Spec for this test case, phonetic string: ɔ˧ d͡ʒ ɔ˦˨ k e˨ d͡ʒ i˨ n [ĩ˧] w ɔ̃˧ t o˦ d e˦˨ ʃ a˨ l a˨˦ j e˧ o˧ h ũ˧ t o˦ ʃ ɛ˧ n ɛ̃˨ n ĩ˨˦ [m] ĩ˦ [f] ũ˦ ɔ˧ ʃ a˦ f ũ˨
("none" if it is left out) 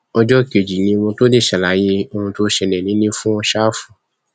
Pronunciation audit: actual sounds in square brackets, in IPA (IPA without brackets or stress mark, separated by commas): ĩ˧, n, f